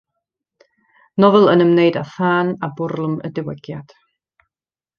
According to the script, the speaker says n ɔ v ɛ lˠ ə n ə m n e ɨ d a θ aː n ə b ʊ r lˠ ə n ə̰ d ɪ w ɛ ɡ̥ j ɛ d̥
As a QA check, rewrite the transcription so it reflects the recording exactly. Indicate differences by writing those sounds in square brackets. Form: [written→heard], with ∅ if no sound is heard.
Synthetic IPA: n ɔ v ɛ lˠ ə n ə m n e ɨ d a θ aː n [ə→a] b ʊ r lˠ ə [n→m] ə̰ d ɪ w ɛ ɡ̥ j [ɛ→a] d̥